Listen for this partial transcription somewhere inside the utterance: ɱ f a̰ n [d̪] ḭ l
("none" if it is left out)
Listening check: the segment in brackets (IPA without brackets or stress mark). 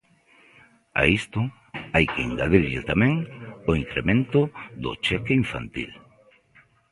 t̪